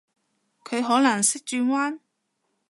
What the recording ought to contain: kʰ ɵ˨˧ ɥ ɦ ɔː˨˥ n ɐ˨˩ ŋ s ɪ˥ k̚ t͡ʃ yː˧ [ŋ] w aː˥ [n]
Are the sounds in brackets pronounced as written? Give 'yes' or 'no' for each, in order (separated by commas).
yes, yes